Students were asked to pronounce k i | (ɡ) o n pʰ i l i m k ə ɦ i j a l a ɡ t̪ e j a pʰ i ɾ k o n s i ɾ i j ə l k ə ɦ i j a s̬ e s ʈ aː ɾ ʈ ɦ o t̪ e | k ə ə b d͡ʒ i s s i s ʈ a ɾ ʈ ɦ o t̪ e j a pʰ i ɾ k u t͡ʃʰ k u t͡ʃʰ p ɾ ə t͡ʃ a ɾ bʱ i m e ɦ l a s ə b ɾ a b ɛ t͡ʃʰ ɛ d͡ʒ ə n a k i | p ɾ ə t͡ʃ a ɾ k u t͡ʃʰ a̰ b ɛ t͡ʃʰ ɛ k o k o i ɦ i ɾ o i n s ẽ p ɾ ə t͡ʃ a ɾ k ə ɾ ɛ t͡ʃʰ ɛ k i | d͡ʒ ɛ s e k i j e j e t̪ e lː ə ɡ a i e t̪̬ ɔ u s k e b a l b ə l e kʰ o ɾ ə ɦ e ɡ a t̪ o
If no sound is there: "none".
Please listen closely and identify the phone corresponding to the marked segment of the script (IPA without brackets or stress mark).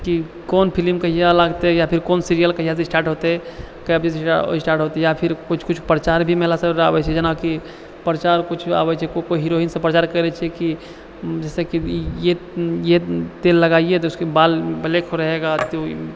k